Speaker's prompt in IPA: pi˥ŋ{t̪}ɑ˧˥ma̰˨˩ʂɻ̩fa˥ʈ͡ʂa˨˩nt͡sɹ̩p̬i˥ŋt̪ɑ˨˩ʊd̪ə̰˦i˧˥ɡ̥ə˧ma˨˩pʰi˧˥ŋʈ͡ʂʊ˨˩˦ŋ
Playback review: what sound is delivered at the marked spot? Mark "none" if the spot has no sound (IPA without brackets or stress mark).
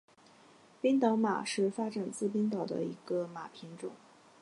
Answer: t̪